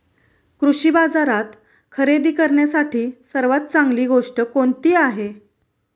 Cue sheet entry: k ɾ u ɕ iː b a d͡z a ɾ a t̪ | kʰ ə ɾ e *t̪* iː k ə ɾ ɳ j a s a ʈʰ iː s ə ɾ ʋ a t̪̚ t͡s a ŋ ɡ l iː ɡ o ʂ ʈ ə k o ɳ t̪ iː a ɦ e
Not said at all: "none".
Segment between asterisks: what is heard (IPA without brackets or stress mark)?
d̪